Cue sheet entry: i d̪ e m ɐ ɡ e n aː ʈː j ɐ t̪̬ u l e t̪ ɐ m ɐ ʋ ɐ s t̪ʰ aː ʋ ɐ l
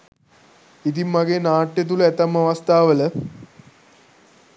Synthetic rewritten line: i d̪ i m ɐ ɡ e n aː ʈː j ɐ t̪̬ u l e t̪ ɐ m ɐ ʋ ɐ s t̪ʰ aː ʋ ɐ l

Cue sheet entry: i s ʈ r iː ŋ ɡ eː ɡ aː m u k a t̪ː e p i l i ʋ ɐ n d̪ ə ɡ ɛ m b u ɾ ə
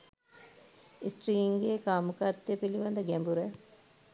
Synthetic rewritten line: i s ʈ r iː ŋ ɡ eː k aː m u k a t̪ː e p i l i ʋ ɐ n d̪ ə ɡ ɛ m b u ɾ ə

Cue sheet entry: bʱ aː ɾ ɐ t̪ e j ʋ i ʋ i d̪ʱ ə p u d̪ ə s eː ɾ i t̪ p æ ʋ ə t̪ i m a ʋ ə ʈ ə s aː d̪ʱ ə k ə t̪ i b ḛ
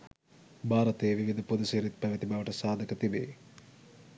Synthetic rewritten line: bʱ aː ɾ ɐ t̪ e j ʋ i ʋ i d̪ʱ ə p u d̪ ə s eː ɾ i t̪ p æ ʋ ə t̪ i b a ʋ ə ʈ ə s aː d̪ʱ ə k ə t̪ i b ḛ

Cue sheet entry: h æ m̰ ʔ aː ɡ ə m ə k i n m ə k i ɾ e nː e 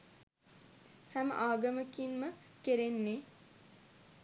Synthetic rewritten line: h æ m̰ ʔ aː ɡ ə m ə k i n m ə k e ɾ e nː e

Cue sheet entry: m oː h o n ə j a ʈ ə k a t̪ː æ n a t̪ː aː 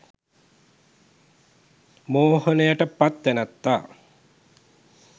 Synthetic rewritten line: m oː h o n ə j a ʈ ə p a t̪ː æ n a t̪ː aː

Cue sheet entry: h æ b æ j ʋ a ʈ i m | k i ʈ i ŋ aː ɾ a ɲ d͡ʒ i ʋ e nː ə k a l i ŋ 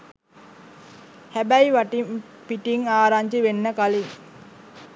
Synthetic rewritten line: h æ b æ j ʋ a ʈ i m | p i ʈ i ŋ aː ɾ a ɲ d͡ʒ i ʋ e nː ə k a l i ŋ

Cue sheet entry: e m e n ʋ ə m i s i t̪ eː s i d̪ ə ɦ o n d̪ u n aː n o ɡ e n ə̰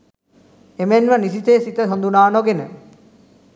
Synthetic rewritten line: e m e n ʋ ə n i s i t̪ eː s i t̪ ə ɦ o n d̪ u n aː n o ɡ e n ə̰

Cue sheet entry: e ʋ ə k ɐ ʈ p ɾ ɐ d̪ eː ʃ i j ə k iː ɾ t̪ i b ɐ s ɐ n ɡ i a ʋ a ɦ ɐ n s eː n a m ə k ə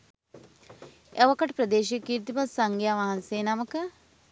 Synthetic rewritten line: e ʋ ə k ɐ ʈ p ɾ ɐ d̪ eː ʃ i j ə k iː ɾ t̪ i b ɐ s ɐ ŋ ɡ j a ʋ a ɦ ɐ n s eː n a m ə k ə

